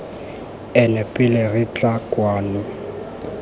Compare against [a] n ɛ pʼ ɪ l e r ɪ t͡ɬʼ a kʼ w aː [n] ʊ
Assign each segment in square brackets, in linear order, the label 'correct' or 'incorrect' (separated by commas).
incorrect, correct